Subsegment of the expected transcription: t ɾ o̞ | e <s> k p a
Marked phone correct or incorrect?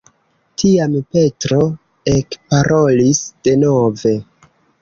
incorrect